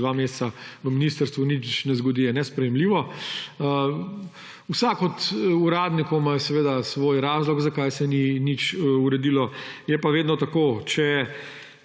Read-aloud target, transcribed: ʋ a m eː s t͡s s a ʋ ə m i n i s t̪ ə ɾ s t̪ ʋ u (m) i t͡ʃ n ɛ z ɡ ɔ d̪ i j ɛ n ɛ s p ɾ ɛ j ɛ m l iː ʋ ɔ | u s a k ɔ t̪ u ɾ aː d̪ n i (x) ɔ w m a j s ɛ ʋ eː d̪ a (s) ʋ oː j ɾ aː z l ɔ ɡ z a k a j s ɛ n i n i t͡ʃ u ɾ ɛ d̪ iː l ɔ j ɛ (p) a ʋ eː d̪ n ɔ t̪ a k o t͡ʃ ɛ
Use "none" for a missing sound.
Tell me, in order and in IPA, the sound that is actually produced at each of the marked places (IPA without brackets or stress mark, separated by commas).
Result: n, k, s, p